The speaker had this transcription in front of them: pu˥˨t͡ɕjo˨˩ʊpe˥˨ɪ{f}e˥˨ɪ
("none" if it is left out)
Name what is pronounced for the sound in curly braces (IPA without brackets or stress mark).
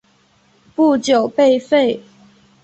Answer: f